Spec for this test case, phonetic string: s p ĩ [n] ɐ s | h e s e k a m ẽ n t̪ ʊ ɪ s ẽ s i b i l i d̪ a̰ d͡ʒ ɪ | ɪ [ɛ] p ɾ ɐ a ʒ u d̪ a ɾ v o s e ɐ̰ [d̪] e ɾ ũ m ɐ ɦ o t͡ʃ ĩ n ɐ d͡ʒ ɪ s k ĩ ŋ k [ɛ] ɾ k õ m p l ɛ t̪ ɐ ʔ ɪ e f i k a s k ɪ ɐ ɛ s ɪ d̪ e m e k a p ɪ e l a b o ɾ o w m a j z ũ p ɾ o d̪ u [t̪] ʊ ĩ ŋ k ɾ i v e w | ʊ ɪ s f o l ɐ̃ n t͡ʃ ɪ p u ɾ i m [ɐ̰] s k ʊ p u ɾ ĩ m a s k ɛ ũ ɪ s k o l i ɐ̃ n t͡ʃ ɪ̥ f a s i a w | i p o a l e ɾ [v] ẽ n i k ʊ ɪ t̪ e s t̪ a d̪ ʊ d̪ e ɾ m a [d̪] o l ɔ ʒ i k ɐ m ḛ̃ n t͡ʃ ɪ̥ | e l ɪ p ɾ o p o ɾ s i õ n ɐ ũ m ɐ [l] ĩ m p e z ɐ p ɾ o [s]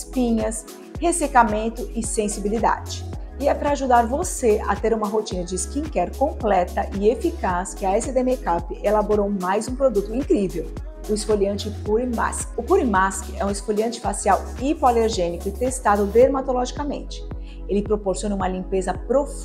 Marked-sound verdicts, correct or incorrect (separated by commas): incorrect, correct, incorrect, correct, correct, incorrect, incorrect, incorrect, correct, incorrect